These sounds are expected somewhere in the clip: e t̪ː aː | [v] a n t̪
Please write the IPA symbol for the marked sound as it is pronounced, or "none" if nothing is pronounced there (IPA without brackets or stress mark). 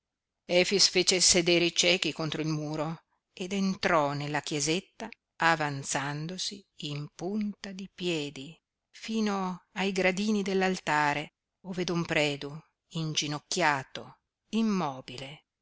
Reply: v